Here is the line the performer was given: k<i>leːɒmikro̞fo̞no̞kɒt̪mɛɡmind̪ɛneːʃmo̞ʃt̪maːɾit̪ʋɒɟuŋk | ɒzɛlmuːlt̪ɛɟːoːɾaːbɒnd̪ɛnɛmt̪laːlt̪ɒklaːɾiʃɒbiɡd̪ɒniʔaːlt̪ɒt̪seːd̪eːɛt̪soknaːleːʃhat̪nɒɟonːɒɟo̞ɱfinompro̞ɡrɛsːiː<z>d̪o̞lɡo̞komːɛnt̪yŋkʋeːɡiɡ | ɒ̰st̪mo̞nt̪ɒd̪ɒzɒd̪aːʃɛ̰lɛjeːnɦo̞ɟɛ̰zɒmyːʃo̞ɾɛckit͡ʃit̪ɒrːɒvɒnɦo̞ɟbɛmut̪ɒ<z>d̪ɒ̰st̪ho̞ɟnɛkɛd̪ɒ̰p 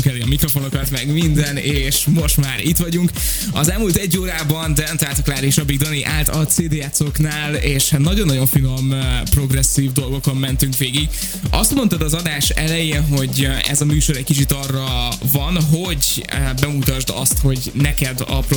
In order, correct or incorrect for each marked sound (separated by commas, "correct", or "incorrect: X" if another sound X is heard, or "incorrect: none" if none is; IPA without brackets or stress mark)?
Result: incorrect: ɛ, incorrect: v, incorrect: ʒ